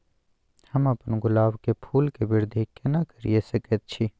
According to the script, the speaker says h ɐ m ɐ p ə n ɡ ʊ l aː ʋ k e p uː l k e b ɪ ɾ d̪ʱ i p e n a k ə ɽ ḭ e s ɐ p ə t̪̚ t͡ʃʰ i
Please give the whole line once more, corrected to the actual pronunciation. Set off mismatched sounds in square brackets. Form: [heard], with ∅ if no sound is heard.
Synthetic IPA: h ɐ m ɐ p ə n ɡ ʊ l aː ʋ k e [pʰ] uː l k e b ɪ ɾ d̪ʱ i [k] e n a k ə [ɾ] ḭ e s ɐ [k] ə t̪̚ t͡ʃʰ i